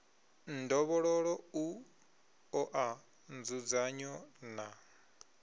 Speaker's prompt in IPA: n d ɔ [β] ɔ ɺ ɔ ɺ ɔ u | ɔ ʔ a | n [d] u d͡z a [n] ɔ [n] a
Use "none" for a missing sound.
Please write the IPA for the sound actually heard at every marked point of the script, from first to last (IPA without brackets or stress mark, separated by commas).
β, d͡z, ɲ, n